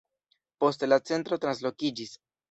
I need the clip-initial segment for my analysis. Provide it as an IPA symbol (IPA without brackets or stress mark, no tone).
p